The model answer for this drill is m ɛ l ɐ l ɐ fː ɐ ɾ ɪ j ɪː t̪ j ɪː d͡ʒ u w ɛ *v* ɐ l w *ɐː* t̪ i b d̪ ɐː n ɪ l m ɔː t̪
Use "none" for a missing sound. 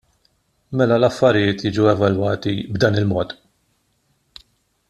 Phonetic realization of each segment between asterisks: v, ɐː

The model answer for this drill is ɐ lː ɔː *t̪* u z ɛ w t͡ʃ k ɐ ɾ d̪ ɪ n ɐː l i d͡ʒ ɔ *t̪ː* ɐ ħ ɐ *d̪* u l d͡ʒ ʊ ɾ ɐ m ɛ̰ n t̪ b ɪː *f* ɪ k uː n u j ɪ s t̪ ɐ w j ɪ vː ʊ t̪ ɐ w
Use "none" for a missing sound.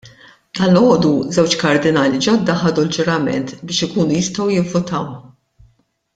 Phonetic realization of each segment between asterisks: d̪, d̪ː, d̪, ʃ

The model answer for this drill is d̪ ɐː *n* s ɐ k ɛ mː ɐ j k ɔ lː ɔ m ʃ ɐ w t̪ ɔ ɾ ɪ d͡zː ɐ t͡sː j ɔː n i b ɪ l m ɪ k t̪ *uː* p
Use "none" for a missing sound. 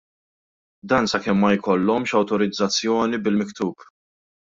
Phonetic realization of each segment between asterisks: n, uː

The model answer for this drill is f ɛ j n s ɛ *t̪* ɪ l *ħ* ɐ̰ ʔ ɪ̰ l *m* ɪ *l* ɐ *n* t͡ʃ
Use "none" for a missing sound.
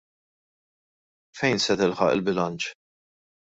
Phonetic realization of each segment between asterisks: t̪, ħ, b, l, n

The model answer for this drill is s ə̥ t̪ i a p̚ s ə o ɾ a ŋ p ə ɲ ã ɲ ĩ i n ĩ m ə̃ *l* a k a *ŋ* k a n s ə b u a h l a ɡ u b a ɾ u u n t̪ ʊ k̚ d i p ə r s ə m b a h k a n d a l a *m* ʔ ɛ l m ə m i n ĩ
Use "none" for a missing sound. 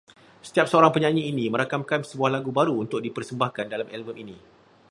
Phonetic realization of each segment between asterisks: ɾ, m, m

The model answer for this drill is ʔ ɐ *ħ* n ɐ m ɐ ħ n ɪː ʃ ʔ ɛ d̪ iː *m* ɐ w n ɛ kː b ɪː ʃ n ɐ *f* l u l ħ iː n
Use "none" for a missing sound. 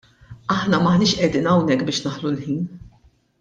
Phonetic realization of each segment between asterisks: ħ, n, ħ

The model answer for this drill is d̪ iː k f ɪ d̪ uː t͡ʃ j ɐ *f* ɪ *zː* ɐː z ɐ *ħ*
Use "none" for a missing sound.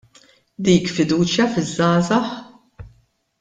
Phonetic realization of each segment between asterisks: f, zː, ħ

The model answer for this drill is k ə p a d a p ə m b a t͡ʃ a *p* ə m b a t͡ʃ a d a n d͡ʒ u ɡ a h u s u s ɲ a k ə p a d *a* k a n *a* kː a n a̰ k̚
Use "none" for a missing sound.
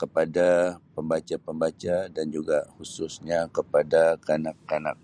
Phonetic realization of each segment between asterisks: p, a, a

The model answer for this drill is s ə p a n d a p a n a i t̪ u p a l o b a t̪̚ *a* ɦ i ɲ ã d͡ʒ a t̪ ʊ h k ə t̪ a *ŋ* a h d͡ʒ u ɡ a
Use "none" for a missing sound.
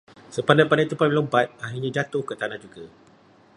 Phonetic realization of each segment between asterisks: a, n

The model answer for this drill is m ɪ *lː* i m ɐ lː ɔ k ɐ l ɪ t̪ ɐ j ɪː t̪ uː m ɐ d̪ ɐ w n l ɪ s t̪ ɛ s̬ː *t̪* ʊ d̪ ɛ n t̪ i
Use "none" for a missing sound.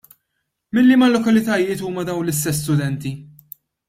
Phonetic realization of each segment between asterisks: lː, t̪

